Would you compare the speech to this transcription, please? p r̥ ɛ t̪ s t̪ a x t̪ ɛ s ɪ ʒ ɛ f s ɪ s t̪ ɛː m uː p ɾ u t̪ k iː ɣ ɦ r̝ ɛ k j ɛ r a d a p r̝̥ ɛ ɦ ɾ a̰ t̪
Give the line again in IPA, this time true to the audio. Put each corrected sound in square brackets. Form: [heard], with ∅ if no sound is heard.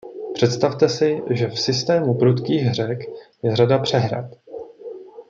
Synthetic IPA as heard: p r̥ ɛ t̪ s t̪ a [f] t̪ ɛ s ɪ ʒ ɛ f s ɪ s t̪ ɛː m [u] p ɾ u t̪ k iː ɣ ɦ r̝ ɛ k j ɛ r a d a p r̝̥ ɛ ɦ ɾ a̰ t̪